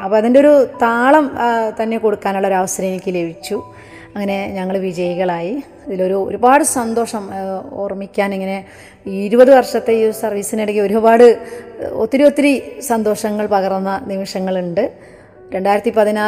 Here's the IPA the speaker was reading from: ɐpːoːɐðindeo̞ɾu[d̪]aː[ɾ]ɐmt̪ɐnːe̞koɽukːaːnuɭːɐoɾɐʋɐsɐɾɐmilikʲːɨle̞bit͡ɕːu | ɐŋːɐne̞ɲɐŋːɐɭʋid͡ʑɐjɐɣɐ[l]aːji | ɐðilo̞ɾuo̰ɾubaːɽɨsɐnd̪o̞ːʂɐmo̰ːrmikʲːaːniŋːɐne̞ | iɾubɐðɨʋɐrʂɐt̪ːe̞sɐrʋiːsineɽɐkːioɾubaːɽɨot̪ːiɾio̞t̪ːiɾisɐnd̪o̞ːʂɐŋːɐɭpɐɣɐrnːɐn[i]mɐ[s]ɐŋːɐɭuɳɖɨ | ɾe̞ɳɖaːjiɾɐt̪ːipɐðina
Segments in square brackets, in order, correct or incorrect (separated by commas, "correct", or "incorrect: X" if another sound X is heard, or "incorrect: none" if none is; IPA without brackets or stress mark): incorrect: t̪, incorrect: ɭ, incorrect: ɭ, correct, incorrect: ʂ